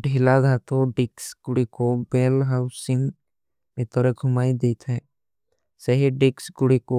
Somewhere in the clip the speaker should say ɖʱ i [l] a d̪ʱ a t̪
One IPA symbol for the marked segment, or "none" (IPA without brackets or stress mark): l